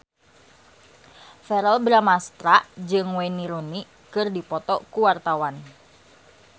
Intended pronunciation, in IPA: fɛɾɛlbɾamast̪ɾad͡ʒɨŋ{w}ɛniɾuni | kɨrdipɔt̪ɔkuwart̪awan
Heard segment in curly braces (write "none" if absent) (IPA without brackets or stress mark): w